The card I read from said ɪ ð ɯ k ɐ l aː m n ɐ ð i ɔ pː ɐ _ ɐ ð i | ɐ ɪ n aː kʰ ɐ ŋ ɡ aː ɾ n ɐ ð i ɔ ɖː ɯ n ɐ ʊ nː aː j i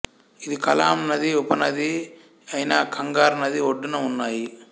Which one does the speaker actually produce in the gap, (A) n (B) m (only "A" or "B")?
A